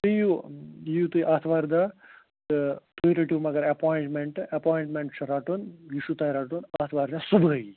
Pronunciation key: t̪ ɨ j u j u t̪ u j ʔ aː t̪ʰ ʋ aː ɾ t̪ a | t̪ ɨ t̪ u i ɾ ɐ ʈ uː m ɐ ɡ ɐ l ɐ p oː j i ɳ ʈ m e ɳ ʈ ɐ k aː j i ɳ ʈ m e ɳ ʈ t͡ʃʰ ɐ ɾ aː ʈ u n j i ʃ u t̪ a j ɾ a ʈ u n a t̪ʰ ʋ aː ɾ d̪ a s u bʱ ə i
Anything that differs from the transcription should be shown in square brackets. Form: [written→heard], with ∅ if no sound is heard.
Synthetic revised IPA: t̪ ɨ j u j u t̪ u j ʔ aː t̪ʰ ʋ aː ɾ [t̪→d̪] a | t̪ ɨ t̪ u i ɾ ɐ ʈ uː m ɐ ɡ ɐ [l→ɾ] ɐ p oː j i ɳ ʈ m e ɳ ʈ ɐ [k→p] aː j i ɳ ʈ m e ɳ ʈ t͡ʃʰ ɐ ɾ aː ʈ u n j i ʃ u t̪ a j ɾ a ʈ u n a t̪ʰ ʋ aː ɾ d̪ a s u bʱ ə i